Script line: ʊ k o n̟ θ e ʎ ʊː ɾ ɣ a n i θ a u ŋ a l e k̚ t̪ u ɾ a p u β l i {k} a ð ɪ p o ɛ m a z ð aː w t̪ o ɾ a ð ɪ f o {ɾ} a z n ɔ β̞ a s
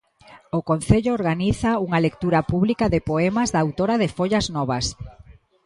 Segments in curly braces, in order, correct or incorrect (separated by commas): correct, incorrect